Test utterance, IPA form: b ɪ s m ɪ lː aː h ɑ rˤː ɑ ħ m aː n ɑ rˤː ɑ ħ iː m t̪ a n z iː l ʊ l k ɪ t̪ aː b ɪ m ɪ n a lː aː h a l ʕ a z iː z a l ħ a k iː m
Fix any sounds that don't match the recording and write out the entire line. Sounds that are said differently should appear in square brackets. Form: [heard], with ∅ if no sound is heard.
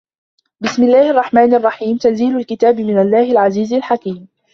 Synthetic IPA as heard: b ɪ s m ɪ lː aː h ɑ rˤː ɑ ħ m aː n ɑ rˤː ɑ ħ iː m t̪ a n z iː l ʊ l k ɪ t̪ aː b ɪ m ɪ n a lː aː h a l ʕ a z iː z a l ħ a k iː m